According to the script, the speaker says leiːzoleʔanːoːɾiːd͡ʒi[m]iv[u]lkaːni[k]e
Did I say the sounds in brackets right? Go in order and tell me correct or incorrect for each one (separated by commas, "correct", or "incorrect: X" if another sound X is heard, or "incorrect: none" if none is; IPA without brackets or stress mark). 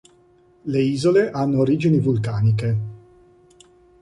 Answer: incorrect: n, correct, correct